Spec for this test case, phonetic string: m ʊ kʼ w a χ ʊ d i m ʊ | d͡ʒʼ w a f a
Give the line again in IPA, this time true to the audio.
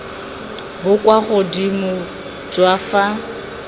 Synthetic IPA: b ʊ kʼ w a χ ʊ d i m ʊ | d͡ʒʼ w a f a